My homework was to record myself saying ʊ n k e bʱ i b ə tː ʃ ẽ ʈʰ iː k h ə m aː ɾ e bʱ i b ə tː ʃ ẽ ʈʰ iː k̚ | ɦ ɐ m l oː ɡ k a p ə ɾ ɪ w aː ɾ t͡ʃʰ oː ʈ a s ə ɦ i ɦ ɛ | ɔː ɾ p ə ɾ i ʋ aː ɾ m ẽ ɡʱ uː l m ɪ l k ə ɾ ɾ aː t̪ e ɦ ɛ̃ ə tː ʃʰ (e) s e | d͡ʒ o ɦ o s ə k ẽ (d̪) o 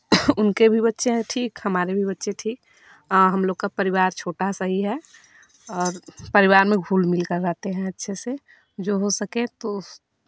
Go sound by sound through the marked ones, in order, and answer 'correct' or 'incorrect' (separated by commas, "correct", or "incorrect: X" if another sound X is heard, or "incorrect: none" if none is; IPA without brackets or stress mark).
correct, incorrect: t̪